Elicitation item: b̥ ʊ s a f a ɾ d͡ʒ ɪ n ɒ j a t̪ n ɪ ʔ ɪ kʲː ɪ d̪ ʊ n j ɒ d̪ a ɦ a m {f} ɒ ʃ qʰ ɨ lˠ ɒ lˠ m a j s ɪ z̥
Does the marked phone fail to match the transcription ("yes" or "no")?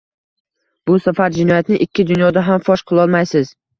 no